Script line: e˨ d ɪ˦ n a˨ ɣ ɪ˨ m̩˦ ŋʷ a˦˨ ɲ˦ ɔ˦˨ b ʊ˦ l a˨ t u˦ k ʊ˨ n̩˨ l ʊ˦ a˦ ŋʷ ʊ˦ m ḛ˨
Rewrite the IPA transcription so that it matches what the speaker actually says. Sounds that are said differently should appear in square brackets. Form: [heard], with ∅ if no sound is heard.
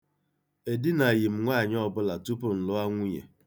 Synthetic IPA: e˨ d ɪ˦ n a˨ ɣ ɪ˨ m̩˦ ŋʷ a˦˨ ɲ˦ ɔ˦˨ b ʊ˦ l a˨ t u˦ [p] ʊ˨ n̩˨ l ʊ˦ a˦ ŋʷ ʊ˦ [ɲ] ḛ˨